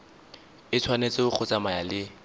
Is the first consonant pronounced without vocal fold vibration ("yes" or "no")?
yes